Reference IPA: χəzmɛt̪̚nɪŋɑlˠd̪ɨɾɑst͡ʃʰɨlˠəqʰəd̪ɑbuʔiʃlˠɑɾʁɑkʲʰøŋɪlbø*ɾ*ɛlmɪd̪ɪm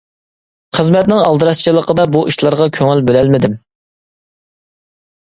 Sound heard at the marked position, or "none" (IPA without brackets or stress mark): l